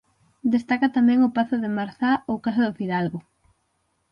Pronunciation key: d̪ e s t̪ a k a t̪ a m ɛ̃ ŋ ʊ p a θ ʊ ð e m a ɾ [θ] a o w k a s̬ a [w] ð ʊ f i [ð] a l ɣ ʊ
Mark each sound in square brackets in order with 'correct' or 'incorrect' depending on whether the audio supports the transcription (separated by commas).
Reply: correct, incorrect, correct